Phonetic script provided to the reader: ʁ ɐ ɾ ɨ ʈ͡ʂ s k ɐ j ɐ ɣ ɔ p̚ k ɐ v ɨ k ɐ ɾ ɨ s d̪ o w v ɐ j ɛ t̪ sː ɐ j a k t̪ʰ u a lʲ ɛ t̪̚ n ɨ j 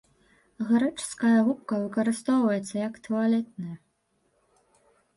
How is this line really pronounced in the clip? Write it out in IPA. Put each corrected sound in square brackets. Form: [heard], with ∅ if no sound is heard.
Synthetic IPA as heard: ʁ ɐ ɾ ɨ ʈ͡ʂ s k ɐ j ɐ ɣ [u] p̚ k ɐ v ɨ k ɐ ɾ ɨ s [t̪] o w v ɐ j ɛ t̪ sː ɐ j a k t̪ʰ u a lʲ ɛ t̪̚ n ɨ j